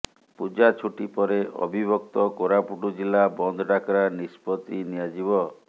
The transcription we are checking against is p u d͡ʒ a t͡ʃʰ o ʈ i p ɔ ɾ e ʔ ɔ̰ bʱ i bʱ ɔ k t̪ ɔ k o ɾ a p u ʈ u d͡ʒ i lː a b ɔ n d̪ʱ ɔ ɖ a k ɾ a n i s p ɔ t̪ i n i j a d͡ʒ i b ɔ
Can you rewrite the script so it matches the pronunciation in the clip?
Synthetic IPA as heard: p u d͡ʒ a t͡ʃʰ u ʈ i p ɔ ɾ e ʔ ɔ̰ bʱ i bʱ ɔ k t̪ ɔ k o ɾ a p u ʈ u d͡ʒ i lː a b ɔ n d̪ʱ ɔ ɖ a k ɾ a n i s p ɔ t̪ i n i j a d͡ʒ i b ɔ